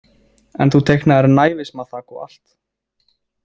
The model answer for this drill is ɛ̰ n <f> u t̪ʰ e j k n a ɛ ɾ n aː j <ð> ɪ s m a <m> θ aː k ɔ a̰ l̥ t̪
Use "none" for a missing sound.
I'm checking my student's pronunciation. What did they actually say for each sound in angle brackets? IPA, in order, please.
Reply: θ, v, none

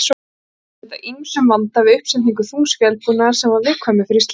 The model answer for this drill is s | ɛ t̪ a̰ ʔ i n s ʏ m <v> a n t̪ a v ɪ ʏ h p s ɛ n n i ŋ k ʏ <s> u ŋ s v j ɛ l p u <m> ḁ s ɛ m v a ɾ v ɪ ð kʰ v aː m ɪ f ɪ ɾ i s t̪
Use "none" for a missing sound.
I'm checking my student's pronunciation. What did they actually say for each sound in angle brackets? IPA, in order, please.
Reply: v, θ, n

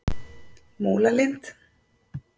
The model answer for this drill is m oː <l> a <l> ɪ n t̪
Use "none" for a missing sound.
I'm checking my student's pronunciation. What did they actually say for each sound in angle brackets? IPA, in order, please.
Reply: l, l

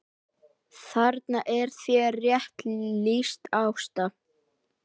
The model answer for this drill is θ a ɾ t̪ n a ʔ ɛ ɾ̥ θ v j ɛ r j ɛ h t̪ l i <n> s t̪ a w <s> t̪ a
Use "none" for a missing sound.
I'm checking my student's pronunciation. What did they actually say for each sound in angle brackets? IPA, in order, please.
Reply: none, s

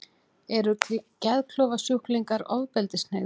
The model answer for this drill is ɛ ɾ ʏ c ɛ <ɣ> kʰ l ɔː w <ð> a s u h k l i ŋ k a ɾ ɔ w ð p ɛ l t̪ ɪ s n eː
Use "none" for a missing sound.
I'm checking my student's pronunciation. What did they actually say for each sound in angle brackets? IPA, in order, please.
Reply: ð, v

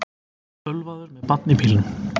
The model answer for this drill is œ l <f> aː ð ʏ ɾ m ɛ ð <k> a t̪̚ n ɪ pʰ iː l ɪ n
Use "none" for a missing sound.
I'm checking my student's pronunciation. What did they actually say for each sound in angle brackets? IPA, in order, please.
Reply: v, p

